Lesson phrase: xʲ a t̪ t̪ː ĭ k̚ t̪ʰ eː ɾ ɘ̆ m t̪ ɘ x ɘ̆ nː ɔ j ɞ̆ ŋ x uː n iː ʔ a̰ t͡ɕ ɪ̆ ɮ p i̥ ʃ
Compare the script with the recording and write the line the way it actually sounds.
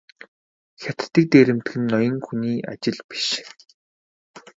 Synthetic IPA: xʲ a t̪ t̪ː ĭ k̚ t̪ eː ɾ ɘ̆ m t̪ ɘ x ɘ̆ nː ɔ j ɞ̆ ŋ x u n iː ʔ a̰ t͡ɕ ɪ̆ ɮ p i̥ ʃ

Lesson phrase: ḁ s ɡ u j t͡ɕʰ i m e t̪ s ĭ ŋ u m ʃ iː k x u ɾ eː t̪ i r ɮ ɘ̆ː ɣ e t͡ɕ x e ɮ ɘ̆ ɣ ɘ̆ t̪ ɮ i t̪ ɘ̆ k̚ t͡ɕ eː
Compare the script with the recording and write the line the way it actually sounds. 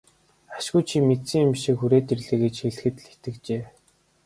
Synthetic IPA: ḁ ʃ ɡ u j t͡ɕʰ i m e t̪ s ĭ ŋ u m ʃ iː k x u ɾ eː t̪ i r ɮ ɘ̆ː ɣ e t͡ɕ x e ɮ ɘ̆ x ɘ̆ t̪ ɮ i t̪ ɘ̆ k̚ t͡ɕ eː

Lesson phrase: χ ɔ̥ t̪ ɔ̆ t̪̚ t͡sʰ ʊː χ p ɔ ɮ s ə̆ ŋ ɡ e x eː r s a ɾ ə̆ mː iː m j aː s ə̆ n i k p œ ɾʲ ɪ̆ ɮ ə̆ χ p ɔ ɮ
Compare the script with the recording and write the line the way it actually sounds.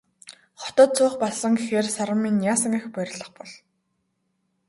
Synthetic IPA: χ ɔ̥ t̪ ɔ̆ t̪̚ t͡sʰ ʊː χ p ɔ ɮ s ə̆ ŋ ɡ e x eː r s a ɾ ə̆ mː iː n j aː s ə̆ ŋ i x p œ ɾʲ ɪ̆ ɮ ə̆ χ p ɔ ɮ

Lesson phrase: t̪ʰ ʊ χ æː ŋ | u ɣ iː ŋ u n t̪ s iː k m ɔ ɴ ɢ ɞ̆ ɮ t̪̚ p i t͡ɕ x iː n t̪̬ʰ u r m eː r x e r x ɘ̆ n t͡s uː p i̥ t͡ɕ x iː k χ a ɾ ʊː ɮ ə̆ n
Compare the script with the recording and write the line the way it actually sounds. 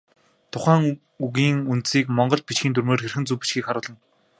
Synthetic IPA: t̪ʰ ʊ χ æː ŋ | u ɣ iː ŋ u n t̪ s iː k m ɔ ɴ ɢ ɞ̆ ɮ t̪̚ p i t͡ɕ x iː n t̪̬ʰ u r m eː r x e r x ɘ̆ n t͡s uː p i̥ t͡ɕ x iː k χ a ɾ ʊː ɮ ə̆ n

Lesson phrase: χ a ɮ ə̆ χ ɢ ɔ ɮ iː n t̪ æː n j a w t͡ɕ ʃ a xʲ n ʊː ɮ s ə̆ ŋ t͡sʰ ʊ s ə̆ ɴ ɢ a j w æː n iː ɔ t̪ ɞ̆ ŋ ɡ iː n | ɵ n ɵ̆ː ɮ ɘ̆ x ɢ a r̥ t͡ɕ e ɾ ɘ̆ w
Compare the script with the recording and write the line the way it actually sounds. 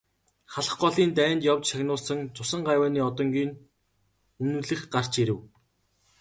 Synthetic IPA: χ a ɮ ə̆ χ ɢ ɔ ɮ iː n t̪ æː n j a w t͡ɕ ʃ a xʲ n ʊː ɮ s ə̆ ŋ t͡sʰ ʊ s ə̆ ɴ ɢ a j w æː n iː ɔ t̪ ɞ̆ ŋ ɡ iː n | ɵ n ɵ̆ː ɮ ɘ̆ x ɢ a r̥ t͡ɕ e ɾ ɘ̆ w

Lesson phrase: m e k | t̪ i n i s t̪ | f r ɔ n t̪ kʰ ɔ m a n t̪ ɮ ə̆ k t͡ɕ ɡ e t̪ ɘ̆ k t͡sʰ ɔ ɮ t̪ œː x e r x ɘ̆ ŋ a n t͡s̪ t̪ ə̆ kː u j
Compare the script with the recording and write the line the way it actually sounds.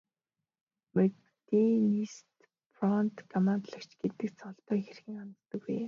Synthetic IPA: m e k | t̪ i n i s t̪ | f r ɔ n t̪ kʰ ɔ m a n t̪ ɮ ə̆ k t͡ɕ ɡ e t̪ ɘ̆ k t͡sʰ ɔ ɮ t̪ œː x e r x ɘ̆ ŋ a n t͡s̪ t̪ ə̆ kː u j

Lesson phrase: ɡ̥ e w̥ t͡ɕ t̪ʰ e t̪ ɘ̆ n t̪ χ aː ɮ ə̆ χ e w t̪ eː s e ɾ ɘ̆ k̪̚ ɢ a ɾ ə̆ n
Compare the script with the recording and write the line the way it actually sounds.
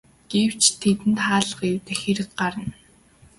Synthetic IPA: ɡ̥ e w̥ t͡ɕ t̪ʰ e t̪ ɘ̆ n t̪ χ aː ɮ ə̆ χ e w t̪ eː x e ɾ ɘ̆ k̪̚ ɢ a ɾ ə̆ n

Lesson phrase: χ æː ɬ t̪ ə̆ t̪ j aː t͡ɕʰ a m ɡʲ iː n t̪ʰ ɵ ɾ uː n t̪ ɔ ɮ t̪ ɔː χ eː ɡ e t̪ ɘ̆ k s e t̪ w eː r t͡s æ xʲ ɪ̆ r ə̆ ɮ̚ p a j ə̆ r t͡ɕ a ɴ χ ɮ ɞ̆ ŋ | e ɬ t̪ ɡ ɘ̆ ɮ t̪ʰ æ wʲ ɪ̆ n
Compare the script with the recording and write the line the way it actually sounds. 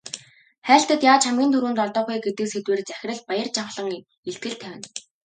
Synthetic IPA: χ æː ɬ t̪ ə̆ t̪ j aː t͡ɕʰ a m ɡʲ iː n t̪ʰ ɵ ɾ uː n t̪ ɔ ɮ t̪ ɔː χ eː ɡ e t̪ ɘ̆ k s e t̪ w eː r t͡s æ xʲ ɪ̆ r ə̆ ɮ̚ p a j ə̆ r t͡ɕ a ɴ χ ɮ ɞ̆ ŋ | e ɬ t̪ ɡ ɘ̆ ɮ t̪ʰ æ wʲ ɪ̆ n

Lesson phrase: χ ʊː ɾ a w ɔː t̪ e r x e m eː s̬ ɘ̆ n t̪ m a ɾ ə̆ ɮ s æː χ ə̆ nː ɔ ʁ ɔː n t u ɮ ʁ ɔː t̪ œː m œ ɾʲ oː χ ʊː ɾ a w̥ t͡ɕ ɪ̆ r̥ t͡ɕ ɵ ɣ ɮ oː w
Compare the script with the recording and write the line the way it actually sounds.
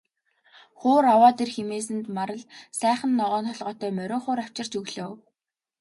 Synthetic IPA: χ ʊː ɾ a w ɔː t̪ e r x e m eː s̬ ɘ̆ n t̪ m a ɾ ə̆ ɮ s æː χ ə̆ nː ɔ ʁ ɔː n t ɔ ɮ ʁ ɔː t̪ œː m œ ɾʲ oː χ ʊː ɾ a w̥ t͡ɕ ɪ̆ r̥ t͡ɕ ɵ ɣ ɮ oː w

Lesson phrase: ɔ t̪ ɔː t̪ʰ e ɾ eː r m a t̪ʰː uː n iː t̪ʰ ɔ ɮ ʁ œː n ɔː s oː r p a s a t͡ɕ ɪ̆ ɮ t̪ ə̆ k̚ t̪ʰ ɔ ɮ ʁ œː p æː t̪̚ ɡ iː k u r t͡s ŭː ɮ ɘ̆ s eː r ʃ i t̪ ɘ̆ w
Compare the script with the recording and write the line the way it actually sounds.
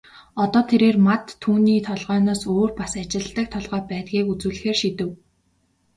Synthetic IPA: ɔ t̪ ɔː t̪ʰ e ɾ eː r m a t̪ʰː uː n iː t̪ʰ ɔ ɮ ʁ œː n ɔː s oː r p a s a t͡ɕ ɪ̆ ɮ t̪ ə̆ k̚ t̪ʰ ɔ ɮ ʁ œː p æː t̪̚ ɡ iː k u t͡s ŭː ɮ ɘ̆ x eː r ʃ i t̪ ɘ̆ w

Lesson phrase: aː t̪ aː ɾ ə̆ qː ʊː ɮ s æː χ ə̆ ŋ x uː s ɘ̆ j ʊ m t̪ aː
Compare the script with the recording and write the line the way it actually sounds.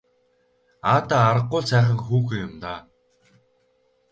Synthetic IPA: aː t̪ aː ɾ ə̆ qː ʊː ɮ s æː χ ə̆ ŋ x uː x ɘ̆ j ʊ m t̪ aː

